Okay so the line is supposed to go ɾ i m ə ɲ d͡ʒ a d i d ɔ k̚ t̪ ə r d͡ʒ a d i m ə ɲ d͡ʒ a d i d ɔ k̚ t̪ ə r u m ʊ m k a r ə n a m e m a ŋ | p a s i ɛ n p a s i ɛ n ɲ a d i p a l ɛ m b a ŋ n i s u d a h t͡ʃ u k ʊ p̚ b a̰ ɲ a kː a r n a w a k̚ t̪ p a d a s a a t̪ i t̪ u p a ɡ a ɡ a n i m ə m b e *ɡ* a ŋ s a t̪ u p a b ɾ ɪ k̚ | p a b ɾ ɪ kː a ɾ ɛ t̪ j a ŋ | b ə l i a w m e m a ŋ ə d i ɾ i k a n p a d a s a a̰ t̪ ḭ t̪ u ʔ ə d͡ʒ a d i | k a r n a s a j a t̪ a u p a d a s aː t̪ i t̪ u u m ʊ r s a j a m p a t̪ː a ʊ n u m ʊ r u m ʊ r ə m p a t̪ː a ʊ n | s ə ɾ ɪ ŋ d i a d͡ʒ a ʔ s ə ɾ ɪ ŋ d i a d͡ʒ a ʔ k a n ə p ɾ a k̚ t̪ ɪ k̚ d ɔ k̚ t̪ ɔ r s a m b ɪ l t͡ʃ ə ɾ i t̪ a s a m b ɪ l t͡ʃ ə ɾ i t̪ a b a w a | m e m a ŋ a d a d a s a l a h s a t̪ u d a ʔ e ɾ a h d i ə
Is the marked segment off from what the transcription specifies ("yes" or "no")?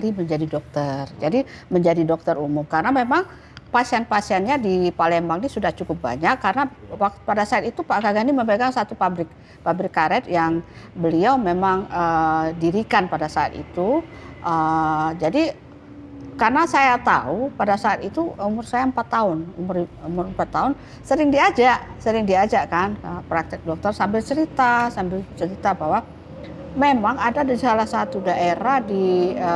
no